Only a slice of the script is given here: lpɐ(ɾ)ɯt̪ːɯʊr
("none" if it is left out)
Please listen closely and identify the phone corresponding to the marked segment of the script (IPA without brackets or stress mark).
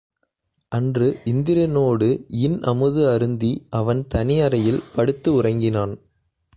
ɽ